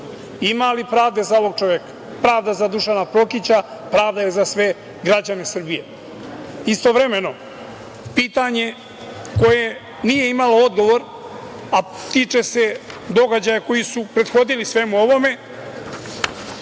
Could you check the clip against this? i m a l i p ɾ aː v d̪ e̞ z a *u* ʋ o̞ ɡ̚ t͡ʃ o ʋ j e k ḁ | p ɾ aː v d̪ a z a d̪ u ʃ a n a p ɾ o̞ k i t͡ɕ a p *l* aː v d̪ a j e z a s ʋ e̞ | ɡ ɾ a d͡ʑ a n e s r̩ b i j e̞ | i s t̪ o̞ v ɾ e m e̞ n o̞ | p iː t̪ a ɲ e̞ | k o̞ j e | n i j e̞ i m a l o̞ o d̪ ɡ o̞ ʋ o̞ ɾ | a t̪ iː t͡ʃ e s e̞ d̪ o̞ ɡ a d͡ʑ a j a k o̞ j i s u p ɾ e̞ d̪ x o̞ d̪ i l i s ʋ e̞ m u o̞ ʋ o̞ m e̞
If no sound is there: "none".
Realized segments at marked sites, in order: o, ɾ

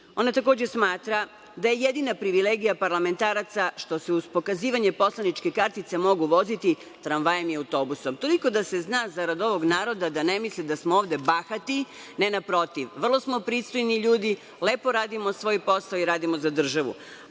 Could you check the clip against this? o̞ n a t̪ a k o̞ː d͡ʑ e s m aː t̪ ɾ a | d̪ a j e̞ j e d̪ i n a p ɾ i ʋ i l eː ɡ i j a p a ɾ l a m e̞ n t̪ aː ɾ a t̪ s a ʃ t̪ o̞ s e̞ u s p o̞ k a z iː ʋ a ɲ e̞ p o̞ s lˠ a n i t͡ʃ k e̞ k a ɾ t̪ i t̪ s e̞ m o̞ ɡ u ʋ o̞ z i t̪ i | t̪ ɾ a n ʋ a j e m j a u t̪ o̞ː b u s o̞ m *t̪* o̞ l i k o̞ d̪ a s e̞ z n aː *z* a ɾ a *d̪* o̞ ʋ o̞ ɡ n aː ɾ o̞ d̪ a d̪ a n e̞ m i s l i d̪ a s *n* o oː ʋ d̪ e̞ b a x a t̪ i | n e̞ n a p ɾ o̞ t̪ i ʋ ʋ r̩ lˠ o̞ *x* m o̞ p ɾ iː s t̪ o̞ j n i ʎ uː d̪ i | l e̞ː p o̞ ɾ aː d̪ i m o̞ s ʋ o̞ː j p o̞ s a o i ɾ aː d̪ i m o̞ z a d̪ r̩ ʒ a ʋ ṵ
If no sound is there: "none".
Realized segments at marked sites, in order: t̪, z, d̪, m, s

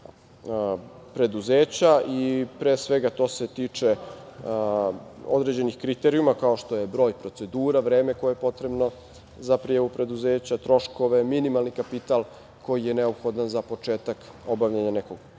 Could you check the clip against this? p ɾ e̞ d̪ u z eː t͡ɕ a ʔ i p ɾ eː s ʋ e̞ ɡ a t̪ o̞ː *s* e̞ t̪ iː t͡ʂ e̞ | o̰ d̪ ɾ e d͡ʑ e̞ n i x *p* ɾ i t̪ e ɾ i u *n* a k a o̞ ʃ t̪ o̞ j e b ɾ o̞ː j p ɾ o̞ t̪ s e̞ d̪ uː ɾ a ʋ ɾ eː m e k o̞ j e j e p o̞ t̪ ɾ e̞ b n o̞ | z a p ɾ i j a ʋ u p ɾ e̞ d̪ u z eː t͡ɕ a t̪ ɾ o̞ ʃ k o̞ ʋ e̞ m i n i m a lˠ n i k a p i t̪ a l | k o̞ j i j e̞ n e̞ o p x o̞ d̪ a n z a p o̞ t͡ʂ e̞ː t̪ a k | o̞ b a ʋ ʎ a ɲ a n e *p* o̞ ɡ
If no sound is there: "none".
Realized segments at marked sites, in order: s, k, m, k

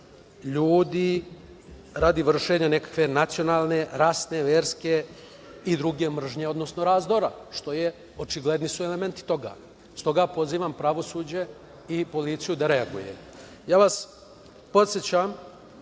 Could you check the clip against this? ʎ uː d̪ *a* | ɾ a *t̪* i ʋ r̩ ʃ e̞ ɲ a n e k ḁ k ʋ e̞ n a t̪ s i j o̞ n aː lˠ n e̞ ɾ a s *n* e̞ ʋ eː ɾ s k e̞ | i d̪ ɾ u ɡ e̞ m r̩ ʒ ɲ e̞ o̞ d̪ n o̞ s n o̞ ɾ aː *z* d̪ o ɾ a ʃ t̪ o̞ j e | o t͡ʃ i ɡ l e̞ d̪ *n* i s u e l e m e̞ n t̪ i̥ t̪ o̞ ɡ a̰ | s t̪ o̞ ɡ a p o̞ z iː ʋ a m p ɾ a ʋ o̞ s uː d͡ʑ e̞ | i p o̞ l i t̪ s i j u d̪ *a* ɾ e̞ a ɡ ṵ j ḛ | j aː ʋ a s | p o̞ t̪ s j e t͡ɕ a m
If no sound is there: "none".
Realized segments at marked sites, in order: i, d̪, n, z, n, a

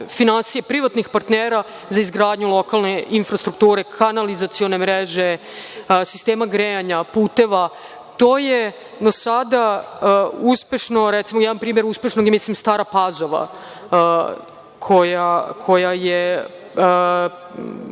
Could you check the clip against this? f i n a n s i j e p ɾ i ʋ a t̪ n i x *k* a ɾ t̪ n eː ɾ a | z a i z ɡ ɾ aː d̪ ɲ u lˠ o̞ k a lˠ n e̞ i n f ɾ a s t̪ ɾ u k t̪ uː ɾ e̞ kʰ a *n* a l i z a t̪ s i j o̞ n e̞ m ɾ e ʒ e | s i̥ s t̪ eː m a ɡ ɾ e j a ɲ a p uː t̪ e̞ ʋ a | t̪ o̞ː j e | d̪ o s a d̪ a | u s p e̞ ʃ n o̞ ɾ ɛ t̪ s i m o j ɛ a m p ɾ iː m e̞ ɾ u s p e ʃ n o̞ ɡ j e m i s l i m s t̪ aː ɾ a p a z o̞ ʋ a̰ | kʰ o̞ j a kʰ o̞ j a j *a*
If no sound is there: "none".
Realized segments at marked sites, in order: p, n, e

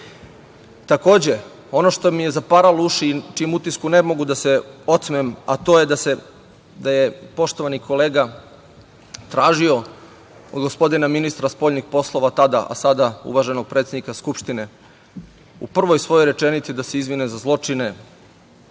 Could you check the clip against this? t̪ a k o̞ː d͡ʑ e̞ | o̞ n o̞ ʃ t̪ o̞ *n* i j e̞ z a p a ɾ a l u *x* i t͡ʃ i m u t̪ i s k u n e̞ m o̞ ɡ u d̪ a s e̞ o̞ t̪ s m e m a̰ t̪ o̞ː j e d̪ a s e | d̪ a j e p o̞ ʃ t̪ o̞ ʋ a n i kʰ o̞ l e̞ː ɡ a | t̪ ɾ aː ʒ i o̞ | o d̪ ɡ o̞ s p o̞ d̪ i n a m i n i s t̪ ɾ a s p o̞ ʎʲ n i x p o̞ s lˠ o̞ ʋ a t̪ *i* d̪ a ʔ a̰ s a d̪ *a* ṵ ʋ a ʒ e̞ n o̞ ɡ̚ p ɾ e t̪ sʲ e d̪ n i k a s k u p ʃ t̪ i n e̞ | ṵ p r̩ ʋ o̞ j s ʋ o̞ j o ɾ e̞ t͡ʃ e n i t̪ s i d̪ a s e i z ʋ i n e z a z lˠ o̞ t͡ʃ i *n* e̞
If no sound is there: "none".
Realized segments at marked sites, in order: m, ʃ, a, a, n

